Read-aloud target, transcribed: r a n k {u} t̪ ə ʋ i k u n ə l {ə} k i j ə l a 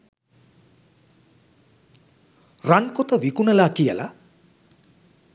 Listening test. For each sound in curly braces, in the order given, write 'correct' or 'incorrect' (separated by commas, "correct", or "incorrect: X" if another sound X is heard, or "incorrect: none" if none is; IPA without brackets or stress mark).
incorrect: o, incorrect: a